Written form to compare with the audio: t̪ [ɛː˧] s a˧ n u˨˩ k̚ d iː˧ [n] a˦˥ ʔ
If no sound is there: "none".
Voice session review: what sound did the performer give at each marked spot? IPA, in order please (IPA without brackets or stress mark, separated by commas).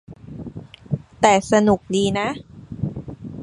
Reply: ɛː˨˩, n